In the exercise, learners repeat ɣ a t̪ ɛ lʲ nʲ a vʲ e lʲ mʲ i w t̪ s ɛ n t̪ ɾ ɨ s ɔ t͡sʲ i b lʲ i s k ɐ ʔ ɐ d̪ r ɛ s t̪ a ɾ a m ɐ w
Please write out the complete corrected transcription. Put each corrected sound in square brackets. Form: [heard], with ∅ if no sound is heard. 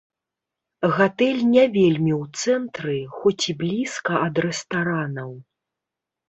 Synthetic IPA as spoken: ɣ a t̪ ɛ lʲ nʲ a vʲ e lʲ mʲ i w t̪ s ɛ n t̪ ɾ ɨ [x] ɔ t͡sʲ i b lʲ i s k ɐ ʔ ɐ d̪ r ɛ s t̪ a ɾ a [n] ɐ w